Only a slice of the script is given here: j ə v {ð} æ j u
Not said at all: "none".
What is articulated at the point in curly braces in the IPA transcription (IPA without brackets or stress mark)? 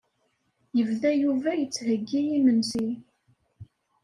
ð